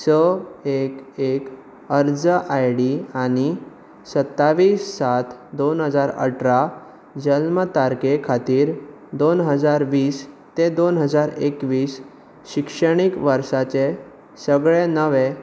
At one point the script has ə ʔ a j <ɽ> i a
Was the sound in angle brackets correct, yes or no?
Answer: yes